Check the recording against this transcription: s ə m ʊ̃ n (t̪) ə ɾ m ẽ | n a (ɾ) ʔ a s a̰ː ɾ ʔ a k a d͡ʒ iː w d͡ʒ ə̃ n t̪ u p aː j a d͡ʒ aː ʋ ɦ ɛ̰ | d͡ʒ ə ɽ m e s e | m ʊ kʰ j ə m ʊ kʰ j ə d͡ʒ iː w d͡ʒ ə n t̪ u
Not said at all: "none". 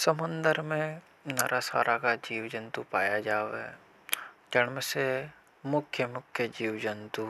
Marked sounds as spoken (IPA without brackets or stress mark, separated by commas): d̪, ɾ